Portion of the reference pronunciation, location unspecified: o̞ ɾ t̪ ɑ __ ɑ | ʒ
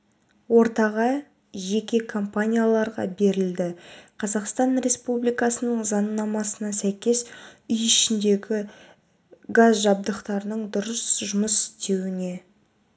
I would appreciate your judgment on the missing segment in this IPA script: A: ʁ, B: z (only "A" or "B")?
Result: A